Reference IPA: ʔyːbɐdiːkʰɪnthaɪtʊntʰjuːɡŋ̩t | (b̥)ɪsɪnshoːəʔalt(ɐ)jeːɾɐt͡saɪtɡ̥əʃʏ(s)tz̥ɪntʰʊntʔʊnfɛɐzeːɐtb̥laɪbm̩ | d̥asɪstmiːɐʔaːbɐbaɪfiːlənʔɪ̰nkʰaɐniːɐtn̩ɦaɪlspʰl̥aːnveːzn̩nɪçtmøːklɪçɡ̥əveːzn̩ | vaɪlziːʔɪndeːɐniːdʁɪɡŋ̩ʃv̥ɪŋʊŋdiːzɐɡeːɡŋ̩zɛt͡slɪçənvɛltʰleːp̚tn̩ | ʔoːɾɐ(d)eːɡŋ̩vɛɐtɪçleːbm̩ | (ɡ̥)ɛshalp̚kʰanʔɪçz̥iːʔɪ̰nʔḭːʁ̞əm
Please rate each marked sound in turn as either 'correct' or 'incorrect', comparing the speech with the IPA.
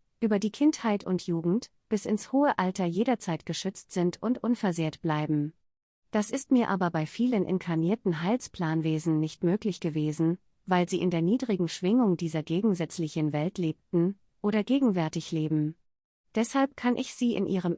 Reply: correct, correct, incorrect: t͡s, incorrect: ɡ, incorrect: d̥

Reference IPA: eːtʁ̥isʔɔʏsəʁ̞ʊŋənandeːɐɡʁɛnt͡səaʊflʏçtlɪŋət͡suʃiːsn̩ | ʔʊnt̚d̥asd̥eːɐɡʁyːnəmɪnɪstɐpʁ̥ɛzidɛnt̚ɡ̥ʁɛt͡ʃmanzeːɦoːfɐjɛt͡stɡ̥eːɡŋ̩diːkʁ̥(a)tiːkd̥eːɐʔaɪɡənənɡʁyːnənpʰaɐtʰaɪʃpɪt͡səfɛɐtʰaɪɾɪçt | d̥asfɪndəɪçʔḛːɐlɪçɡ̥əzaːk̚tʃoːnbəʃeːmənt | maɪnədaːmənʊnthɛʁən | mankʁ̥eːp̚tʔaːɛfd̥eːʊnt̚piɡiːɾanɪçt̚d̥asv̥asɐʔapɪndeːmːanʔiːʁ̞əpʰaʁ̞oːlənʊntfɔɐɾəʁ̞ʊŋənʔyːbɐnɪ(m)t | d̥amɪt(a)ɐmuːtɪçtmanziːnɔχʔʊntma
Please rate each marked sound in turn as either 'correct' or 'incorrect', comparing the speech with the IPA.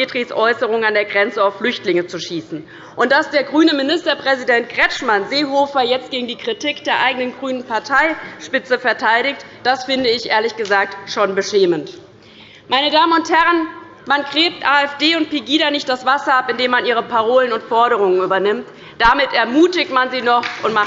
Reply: incorrect: i, correct, incorrect: ɛ

